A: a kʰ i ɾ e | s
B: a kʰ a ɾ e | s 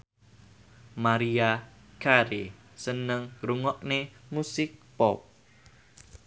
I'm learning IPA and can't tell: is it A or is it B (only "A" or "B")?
B